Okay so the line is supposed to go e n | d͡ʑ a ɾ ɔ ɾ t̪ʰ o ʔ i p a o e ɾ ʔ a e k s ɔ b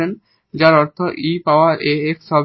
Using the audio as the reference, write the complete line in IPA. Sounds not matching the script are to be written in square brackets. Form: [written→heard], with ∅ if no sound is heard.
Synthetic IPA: e n | d͡ʑ a ɾ ɔ ɾ t̪ʰ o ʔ i p a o [e→a] ɾ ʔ [a→e] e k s ɔ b